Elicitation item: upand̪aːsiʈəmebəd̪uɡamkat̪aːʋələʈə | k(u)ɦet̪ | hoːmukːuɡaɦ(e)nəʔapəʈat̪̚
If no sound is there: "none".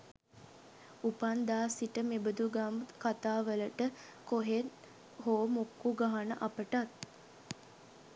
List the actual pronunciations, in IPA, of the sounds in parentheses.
o, a

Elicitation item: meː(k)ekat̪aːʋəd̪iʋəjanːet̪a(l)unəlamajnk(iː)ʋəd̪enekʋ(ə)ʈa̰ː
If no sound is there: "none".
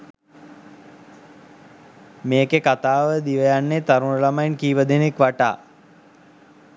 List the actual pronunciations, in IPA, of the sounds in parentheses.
k, ɾ, iː, a

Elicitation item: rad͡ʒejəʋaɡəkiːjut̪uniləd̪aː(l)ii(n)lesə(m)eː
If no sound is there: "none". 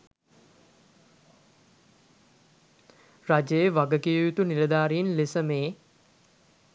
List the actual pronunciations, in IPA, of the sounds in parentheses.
ɾ, n, m

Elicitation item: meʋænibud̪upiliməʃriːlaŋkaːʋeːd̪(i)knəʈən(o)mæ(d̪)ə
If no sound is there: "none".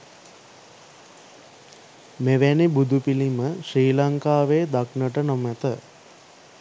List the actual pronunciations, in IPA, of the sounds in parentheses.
a, o, t̪

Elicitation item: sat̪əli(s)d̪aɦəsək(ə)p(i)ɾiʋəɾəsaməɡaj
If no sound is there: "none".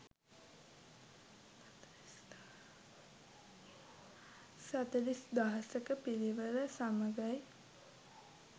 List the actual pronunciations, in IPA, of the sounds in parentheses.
s, ə, i

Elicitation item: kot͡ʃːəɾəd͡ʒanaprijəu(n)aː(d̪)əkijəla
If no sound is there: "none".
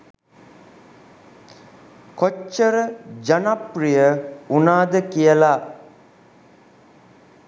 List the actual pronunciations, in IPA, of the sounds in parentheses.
n, d̪

